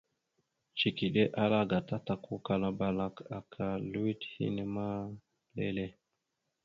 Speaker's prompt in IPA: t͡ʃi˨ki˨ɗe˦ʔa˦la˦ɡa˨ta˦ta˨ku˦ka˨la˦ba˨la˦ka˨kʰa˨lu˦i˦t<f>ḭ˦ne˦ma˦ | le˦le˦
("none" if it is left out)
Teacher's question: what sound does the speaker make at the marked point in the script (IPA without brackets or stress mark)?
h